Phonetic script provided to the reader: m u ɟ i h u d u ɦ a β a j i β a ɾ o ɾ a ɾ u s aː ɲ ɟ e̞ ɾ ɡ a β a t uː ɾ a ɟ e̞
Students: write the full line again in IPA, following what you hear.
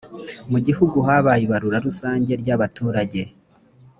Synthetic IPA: m u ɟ i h u ɡ u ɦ a β a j i β a ɾ u ɾ a ɾ u s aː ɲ ɟ e̞ ɾ ɟ a β a t uː ɾ a ɟ e̞

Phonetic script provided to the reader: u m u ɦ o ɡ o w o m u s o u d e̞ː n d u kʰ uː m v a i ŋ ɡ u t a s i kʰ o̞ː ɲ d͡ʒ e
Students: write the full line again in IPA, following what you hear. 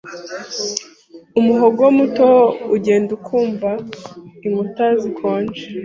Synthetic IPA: u m u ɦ o ɡ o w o m u t o u ɟ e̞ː n d u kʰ uː m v a i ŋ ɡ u t a z i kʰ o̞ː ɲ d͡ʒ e

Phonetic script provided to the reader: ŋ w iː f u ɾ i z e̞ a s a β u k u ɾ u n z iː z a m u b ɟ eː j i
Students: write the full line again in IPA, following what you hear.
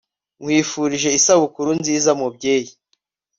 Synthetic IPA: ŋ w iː f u ɾ i ʒ e̞ i s a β u k u ɾ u n z iː z a m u b ɟ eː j i

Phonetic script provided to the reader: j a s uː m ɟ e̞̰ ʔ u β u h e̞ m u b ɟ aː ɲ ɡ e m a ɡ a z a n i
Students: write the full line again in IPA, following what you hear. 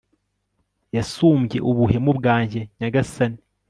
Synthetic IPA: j a s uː m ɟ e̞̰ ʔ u β u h e̞ m u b ɡ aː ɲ ɟ e ɲ a ɡ a s a n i

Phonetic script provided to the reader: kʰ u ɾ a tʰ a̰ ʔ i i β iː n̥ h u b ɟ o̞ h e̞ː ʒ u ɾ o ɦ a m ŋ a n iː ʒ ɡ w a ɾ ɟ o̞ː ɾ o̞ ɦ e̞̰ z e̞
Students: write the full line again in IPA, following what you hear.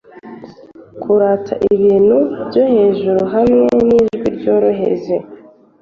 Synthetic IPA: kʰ u ɾ a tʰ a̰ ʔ i i β iː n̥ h u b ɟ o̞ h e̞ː ʒ u ɾ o ɦ a m ŋ e n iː ʒ ɡ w i ɾ ɟ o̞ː ɾ o̞ ɦ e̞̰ z e̞

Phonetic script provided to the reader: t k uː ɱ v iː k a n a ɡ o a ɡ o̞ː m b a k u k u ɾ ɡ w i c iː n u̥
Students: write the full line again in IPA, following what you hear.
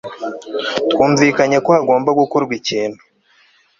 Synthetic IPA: t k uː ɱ v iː k a ɲ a k o a ɡ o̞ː m b a ɡ u k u ɾ ɡ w i c iː n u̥

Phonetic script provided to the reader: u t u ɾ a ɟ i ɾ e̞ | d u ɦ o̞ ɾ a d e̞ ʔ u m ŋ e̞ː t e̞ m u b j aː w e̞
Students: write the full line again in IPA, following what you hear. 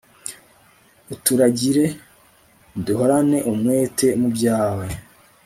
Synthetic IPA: u t u ɾ a ɟ i ɾ e̞ | d u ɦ o̞ ɾ a n e̞ ʔ u m ŋ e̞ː t e̞ m u b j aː w e̞

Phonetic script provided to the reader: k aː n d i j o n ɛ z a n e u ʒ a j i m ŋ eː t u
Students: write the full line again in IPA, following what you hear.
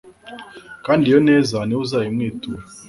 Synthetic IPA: k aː n d i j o n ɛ z a n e u z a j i m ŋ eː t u

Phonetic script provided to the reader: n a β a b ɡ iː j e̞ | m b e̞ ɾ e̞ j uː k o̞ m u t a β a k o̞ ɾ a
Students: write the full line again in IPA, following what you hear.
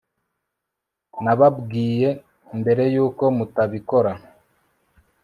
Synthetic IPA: n a β a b ɡ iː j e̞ | m b e̞ ɾ e̞ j uː k o̞ m u t a β i k o̞ ɾ a

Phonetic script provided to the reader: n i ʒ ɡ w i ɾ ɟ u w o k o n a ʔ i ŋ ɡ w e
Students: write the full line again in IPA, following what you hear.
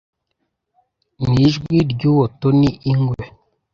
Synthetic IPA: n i ʒ ɡ w i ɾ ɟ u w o t o n i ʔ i ŋ ɡ w e

